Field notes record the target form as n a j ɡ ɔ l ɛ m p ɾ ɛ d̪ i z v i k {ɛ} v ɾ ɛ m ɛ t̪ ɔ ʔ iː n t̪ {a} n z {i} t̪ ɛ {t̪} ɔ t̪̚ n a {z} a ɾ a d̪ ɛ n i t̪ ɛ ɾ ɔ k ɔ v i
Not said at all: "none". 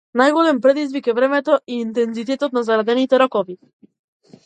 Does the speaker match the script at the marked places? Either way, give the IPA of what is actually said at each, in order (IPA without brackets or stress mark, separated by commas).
ɛ, ɛ, i, t̪, z